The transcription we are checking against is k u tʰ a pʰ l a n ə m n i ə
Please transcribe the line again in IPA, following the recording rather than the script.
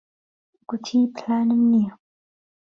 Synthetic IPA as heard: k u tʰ i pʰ l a n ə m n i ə